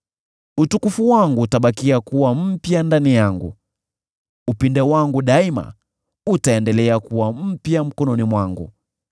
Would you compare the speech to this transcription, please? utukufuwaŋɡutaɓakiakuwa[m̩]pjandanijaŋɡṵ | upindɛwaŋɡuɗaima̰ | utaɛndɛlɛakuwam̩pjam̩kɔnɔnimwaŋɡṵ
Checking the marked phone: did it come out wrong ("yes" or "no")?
no